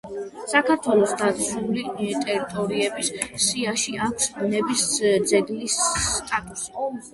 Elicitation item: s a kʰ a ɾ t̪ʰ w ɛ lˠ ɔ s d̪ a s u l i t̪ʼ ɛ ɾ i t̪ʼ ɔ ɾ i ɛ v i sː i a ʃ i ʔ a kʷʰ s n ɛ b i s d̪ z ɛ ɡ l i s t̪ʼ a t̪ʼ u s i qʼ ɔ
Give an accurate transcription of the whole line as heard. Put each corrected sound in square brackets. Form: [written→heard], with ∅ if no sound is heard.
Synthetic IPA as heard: s a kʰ a ɾ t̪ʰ w ɛ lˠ ɔ s d̪ a s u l i t̪ʼ ɛ ɾ i t̪ʼ ɔ ɾ i ɛ [v→b] i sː i a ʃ i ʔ a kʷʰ s n ɛ b i s d̪ z ɛ ɡ l i s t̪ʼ a t̪ʼ u s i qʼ ɔ